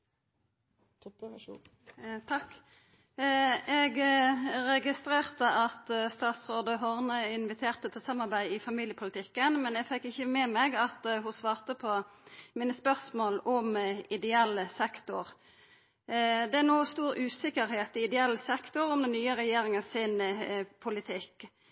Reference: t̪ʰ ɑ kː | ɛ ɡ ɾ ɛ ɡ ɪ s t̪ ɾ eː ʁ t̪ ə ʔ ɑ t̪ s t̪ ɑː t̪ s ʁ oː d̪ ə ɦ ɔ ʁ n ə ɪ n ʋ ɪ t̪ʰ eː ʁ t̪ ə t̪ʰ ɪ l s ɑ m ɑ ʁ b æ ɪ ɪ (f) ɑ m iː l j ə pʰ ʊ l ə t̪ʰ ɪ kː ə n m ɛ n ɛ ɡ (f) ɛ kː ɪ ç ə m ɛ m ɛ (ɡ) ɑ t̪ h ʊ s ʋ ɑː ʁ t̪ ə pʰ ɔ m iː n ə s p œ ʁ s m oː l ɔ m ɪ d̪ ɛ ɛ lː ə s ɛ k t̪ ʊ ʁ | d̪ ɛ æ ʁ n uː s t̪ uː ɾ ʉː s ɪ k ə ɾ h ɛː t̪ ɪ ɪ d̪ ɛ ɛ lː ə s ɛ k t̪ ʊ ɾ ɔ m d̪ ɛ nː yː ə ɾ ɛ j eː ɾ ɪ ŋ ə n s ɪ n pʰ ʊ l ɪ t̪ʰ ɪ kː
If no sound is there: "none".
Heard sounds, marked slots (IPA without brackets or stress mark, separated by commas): f, f, ɡ